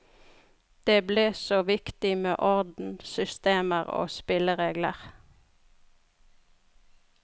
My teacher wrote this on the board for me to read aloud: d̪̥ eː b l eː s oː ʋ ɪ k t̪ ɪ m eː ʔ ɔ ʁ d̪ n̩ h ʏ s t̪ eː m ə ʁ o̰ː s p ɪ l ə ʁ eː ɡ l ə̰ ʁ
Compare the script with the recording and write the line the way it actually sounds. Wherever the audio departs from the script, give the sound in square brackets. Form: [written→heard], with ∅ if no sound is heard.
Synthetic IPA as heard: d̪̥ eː b l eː s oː ʋ ɪ k t̪ ɪ m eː ʔ ɔ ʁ d̪ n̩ [h→s] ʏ s t̪ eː m ə ʁ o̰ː s p ɪ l ə ʁ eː ɡ l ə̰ ʁ